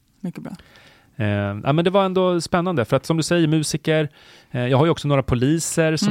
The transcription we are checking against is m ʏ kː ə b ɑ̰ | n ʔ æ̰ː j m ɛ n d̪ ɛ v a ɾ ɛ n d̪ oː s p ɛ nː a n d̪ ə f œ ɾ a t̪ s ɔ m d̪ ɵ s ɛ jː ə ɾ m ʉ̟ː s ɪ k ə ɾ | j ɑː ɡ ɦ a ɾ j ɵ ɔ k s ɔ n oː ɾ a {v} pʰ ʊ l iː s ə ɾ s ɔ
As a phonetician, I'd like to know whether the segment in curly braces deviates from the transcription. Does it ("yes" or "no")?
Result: yes